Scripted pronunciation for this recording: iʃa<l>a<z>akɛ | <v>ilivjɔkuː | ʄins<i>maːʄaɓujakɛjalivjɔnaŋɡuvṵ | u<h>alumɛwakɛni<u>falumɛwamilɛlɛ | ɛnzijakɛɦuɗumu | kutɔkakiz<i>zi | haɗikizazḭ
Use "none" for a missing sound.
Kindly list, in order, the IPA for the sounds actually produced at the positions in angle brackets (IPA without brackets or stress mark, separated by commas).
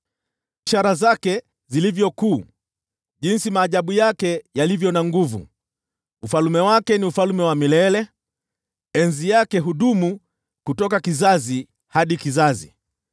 ɾ, z, z, i, f, u, a